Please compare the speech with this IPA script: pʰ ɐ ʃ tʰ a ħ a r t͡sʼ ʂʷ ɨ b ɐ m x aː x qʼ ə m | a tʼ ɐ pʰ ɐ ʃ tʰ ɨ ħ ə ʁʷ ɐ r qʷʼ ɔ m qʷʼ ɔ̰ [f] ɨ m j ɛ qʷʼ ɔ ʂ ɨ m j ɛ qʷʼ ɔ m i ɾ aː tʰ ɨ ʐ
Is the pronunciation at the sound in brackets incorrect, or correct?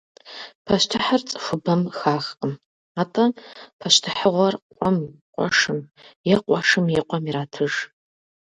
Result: incorrect